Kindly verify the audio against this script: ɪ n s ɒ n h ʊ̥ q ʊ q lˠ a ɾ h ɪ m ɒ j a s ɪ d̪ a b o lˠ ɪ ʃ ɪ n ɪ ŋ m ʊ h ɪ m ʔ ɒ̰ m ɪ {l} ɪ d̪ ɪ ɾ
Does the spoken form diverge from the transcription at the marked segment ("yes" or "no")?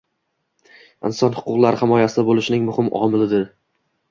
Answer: no